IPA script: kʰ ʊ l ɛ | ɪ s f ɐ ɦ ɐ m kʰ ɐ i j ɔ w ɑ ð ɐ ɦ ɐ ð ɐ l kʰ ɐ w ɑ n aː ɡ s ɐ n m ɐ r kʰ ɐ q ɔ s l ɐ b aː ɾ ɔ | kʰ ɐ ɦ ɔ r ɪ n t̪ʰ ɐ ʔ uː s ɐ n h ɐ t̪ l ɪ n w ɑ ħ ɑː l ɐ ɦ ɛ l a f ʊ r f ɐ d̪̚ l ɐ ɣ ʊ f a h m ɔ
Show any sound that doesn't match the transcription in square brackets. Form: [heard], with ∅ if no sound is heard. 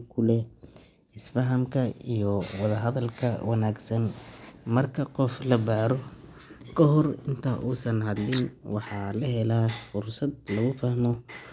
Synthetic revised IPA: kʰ ʊ l ɛ | ɪ s f ɐ ɦ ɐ m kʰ ɐ i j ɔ w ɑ ð ɐ ɦ ɐ ð ɐ l kʰ ɐ w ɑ n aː ɡ s ɐ n m ɐ r kʰ ɐ q ɔ [f] l ɐ b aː ɾ ɔ | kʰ ɐ ɦ ɔ r ɪ n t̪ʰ ɐ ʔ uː s ɐ n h ɐ [d̪] l ɪ n w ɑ ħ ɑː l ɐ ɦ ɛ l a f ʊ r [s] ɐ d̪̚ l ɐ ɣ ʊ f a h m ɔ